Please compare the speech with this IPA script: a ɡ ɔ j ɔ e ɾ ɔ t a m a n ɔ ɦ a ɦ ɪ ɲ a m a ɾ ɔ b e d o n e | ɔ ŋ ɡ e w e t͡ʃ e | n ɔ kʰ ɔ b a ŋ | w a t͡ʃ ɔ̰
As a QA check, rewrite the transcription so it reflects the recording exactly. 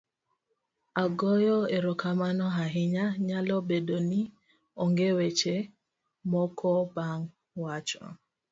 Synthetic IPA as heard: a ɡ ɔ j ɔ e ɾ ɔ k a m a n ɔ ɦ a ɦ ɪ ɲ a ɲ a l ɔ b e d o n i | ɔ ŋ ɡ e w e t͡ʃ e | m ɔ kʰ ɔ b a ŋ | w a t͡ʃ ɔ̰